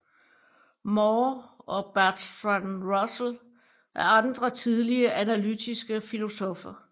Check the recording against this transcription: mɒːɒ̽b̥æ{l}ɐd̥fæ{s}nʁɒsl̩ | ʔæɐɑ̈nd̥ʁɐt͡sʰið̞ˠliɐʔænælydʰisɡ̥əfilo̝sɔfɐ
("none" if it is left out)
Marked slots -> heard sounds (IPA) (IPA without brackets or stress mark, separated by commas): none, none